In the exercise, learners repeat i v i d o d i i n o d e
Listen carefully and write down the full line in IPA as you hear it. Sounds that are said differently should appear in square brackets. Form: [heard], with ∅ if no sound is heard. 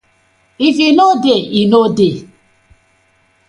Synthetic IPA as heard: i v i [n] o d [e] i n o d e